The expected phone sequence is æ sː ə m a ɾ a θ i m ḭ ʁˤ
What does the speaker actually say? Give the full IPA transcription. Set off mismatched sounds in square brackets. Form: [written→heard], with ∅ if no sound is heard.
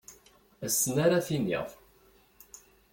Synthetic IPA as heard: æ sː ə [m→n] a ɾ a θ i [m→n] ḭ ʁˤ

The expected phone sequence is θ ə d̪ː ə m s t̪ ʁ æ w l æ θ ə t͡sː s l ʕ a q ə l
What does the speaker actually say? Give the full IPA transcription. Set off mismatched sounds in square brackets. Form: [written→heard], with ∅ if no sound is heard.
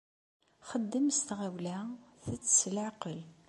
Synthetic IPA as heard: [θ→χ] ə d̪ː ə m s t̪ ʁ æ w l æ θ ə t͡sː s l ʕ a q ə l

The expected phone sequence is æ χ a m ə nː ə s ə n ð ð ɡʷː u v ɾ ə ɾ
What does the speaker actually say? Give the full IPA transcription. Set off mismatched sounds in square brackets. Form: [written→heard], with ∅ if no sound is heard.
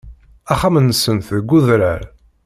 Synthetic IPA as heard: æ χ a m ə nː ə s ə n [ð→θ] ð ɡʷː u [v→ð] ɾ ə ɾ

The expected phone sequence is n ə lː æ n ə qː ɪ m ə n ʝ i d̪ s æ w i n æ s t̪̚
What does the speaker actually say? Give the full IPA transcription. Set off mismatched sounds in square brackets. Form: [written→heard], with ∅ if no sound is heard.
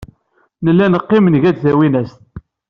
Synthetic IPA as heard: n ə lː æ n ə qː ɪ m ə n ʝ [i→æ] d̪ [s→θ] æ w i n æ s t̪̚

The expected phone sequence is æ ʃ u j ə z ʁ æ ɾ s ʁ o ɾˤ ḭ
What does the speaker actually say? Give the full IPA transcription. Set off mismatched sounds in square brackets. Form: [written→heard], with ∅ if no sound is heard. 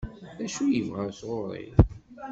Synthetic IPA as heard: æ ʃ u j ə [z→v] ʁ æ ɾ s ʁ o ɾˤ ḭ

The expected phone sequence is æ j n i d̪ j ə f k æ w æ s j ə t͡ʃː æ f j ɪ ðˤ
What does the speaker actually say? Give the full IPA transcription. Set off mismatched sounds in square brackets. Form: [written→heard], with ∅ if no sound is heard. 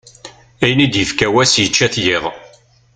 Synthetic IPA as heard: æ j n i d̪ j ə f k æ w æ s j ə t͡ʃː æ [f→θ] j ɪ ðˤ

